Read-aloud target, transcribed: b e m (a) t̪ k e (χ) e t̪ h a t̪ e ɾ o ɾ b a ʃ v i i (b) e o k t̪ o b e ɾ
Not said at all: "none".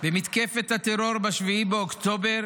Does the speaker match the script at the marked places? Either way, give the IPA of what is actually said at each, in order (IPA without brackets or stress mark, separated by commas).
i, f, b